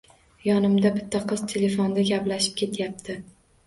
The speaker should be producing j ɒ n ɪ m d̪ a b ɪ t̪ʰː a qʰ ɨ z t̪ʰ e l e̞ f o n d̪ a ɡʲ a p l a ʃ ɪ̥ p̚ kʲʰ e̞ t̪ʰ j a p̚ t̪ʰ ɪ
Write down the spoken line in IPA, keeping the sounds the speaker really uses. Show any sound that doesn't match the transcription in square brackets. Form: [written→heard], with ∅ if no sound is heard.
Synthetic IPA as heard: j ɒ n ɪ m d̪ a b ɪ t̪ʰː a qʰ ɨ z t̪ʰ e l e̞ f o n d̪ a ɡʲ a p l a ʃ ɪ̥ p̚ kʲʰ e̞ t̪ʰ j a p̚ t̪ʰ ɪ